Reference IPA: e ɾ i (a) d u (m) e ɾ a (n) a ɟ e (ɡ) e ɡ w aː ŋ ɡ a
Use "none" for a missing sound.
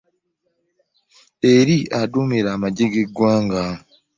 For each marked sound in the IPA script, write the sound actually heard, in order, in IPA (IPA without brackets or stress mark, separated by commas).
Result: a, m, m, ɡ